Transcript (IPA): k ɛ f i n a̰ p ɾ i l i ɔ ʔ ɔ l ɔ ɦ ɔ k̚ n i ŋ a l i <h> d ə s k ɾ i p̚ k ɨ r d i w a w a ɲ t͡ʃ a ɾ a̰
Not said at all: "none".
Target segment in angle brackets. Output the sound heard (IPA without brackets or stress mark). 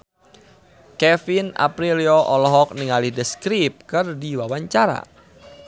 h